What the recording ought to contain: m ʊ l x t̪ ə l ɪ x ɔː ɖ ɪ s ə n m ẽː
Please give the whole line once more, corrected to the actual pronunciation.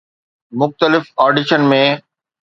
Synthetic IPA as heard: m ʊ x t̪ ə l ɪ f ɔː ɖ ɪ ʃ ə n m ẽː